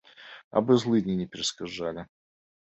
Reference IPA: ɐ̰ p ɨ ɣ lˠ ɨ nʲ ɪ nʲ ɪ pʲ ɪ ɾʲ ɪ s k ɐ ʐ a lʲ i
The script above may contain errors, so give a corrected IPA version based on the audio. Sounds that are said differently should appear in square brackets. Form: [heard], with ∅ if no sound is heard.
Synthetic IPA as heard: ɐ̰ [b] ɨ [z] lˠ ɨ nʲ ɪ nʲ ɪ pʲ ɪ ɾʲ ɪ s k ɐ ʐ a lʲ [ɪ]